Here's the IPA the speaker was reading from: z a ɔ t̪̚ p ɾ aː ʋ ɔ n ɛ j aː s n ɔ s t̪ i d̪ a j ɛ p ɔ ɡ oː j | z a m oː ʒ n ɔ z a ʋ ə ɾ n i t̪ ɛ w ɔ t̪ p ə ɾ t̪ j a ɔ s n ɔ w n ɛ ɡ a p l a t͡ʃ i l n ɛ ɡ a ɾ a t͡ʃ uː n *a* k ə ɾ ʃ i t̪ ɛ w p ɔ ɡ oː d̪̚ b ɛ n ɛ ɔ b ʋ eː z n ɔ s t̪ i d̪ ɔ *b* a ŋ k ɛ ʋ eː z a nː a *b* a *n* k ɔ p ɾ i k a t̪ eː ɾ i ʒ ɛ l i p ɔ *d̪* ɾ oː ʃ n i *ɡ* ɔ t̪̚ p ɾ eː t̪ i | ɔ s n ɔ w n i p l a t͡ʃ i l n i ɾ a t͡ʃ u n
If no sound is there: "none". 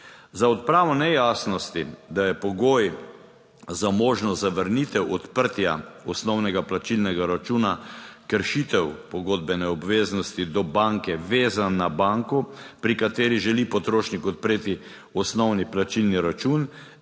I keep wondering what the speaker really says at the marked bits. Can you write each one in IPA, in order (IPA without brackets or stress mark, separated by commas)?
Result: a, b, b, ŋ, t̪, k